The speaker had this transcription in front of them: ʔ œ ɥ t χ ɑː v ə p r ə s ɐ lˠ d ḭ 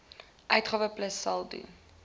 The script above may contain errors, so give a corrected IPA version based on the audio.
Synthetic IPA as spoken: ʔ œ ɥ t χ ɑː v ə p l ə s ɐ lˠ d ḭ